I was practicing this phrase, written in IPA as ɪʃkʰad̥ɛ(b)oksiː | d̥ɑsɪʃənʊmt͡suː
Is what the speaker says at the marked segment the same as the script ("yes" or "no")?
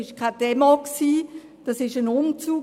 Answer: no